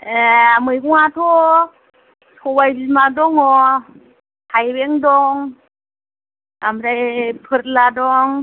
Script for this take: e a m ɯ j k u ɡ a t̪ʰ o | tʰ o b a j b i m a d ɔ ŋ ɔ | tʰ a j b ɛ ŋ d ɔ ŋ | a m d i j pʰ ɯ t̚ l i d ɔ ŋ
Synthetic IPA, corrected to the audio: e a m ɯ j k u ŋ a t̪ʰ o | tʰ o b a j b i m a d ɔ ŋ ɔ | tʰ a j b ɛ ŋ d ɔ ŋ | a m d a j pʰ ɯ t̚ l a d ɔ ŋ